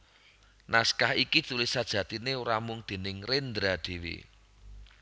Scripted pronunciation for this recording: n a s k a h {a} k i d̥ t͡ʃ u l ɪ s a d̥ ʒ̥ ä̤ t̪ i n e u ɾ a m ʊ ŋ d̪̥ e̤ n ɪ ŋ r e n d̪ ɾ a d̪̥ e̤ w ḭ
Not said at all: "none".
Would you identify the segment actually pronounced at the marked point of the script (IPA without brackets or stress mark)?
i